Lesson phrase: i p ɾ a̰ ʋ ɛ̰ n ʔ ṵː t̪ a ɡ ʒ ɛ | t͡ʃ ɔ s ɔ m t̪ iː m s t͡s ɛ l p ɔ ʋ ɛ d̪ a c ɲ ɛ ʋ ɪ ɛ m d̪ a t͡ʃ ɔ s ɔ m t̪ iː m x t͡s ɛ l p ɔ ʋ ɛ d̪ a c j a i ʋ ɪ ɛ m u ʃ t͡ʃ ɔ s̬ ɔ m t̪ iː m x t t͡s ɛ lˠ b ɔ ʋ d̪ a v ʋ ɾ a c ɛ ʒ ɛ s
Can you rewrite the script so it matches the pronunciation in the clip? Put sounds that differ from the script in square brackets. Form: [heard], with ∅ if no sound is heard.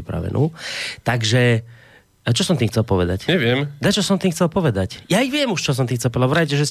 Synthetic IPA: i p ɾ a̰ ʋ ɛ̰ n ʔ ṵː t̪ a ɡ ʒ ɛ | t͡ʃ ɔ s ɔ m t̪ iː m [x] t͡s ɛ l p ɔ ʋ ɛ d̪ a c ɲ ɛ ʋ ɪ ɛ m d̪ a t͡ʃ ɔ s ɔ m t̪ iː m x t͡s ɛ l p ɔ ʋ ɛ d̪ a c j a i ʋ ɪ ɛ m u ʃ t͡ʃ ɔ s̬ ɔ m t̪ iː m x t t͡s ɛ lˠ [p] ɔ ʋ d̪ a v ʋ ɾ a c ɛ ʒ ɛ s